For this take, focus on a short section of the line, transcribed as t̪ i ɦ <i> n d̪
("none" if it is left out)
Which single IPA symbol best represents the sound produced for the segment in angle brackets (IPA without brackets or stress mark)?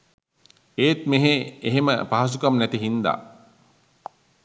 i